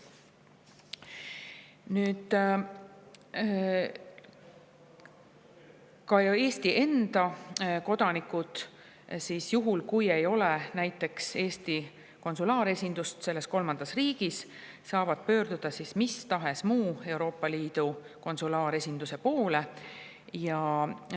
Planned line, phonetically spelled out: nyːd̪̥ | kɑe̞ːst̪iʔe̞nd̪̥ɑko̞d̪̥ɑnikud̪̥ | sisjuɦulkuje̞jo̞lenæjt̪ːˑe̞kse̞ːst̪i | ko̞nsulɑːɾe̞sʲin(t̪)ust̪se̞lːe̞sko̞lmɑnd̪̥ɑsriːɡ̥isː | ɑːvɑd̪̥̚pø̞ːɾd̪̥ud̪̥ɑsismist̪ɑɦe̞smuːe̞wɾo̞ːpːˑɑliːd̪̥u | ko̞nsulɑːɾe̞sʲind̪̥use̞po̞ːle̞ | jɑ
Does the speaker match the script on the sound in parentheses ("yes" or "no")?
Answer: no